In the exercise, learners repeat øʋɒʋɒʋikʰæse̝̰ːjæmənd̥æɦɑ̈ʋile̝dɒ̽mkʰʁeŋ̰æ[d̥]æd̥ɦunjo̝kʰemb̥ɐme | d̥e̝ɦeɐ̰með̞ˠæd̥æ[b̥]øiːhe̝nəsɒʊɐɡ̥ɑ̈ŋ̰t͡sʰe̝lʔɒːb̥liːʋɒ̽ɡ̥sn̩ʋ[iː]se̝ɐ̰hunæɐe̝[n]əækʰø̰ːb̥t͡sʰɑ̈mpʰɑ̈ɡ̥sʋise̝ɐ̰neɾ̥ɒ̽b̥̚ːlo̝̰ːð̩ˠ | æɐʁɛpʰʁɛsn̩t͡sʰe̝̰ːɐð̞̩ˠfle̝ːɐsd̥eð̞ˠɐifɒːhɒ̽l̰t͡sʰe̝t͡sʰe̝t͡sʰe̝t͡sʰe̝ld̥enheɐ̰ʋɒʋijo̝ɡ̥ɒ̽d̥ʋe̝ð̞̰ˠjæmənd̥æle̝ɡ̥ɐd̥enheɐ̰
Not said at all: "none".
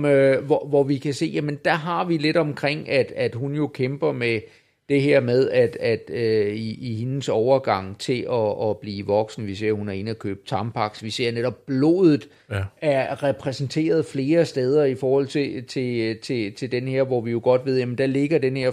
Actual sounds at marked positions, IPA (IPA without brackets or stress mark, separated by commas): d̥, d̥, i, n